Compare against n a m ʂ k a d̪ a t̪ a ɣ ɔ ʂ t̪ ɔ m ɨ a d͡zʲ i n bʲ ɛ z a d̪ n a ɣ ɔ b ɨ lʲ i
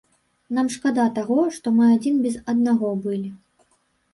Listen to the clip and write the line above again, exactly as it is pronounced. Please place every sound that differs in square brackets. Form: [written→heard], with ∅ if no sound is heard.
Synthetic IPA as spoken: n a m ʂ k a d̪ a t̪ a ɣ ɔ ʂ t̪ ɔ m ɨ a d͡zʲ i n bʲ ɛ z [a→ɐ] d̪ n a ɣ ɔ b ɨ lʲ i